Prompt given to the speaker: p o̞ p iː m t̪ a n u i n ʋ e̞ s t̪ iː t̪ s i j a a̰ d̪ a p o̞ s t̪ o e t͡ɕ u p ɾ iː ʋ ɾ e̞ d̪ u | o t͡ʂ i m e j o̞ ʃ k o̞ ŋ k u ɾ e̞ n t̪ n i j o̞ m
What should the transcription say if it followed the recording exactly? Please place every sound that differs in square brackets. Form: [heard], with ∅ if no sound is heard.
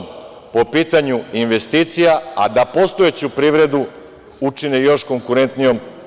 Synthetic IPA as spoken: p o̞ p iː [∅] t̪ a [ɲ] u i n ʋ e̞ s t̪ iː t̪ s i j a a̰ d̪ a p o̞ s t̪ o e t͡ɕ u p ɾ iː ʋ ɾ e̞ d̪ u | [u] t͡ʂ i [n] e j o̞ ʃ k o̞ ŋ k u ɾ e̞ n t̪ n i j o̞ m